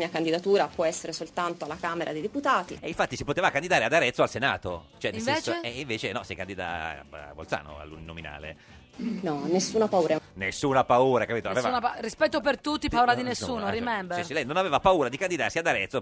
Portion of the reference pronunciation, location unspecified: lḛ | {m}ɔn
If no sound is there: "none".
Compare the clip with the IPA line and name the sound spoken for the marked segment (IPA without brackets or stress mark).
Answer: n